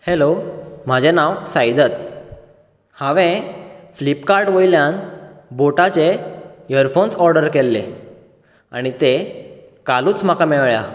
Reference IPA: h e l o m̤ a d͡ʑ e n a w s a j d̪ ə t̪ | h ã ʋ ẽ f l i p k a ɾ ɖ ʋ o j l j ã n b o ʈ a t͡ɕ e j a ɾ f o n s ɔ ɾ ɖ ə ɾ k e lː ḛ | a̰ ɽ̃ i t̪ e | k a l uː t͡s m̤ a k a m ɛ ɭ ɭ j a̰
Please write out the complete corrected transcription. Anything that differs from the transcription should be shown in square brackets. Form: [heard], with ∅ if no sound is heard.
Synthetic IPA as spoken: h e l o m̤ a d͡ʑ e n a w s a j d̪ ə t̪ | h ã ʋ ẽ f l i p k a ɾ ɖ ʋ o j l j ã n b o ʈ a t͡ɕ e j [ə] ɾ f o n s ɔ ɾ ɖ ə ɾ k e lː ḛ | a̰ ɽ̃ i t̪ e | k a l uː t͡s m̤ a k a m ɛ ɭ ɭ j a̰